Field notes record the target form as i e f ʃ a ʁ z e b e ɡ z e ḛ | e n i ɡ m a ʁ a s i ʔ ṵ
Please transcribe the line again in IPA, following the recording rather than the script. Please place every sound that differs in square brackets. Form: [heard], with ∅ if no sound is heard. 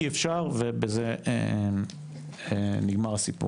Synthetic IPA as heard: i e f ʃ a ʁ [v] e b e [∅] z e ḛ | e n i ɡ m a ʁ a s i [p] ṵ